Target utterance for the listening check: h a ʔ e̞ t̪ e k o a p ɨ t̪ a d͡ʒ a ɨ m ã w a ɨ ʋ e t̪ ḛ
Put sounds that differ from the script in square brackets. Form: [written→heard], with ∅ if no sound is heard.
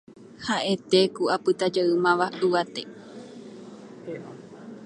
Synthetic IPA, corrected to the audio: h a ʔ e̞ t̪ e k [o→u] a p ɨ t̪ a d͡ʒ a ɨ m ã [w→ʋ] a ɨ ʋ [e→a] t̪ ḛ